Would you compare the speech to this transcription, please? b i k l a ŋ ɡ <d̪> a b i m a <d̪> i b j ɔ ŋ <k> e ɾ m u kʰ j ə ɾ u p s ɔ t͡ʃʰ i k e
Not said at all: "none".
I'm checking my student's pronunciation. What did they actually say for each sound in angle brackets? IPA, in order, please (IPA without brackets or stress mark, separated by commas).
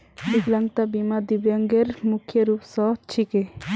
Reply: t̪, d̪, ɡ